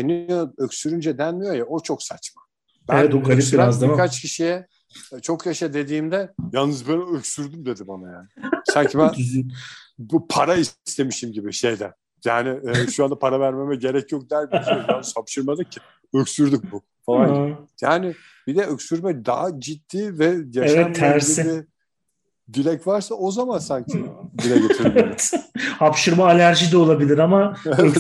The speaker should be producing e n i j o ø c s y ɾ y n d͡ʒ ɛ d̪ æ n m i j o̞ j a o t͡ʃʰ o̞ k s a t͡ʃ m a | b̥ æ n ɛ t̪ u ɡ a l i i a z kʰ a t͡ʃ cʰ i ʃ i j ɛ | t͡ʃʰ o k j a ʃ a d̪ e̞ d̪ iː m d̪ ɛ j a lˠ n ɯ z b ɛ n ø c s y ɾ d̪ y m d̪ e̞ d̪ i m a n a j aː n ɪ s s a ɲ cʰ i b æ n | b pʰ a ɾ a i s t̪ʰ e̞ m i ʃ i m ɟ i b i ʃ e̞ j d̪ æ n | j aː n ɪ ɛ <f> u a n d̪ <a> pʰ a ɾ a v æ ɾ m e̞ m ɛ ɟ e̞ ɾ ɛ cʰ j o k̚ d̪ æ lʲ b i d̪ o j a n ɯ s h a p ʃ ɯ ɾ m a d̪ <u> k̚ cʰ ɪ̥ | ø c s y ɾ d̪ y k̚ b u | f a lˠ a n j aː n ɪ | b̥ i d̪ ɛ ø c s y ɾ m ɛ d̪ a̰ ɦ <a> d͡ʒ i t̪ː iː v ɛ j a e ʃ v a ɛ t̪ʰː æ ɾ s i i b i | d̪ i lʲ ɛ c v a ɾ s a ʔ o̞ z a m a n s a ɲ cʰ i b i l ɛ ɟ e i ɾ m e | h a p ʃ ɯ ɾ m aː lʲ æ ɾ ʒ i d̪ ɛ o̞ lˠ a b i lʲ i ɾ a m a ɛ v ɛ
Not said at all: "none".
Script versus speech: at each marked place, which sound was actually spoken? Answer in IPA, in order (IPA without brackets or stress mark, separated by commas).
ʃ, a, ɯ, a